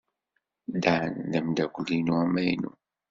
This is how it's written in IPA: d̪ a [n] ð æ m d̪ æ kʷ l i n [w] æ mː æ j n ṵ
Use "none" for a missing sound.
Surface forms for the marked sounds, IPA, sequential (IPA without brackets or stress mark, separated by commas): n, u